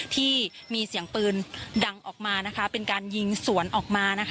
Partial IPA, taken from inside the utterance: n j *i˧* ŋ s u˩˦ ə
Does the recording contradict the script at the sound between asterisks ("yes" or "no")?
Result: no